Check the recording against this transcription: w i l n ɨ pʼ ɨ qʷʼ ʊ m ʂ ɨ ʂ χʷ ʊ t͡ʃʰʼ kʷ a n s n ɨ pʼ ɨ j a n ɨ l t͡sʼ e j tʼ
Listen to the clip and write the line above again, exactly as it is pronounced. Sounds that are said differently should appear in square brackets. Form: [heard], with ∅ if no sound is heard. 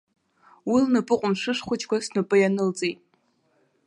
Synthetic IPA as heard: w i l n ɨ pʼ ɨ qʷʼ ʊ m ʂ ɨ ʂ χʷ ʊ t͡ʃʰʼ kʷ a [∅] s n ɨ pʼ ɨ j a n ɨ l t͡sʼ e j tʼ